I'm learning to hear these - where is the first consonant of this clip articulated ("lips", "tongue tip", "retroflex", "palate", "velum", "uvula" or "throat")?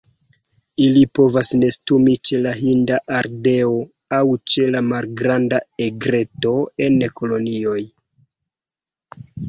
tongue tip